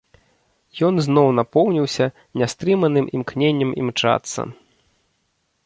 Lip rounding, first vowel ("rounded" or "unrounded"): rounded